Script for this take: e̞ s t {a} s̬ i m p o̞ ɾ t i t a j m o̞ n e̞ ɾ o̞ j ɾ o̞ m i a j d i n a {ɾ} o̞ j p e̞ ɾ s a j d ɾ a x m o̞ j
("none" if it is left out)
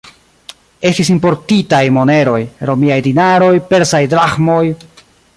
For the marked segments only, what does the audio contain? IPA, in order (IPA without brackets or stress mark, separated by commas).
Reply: i, ɾ